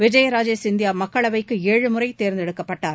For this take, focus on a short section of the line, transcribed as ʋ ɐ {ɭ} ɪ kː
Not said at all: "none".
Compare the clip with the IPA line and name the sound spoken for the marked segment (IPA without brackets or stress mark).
none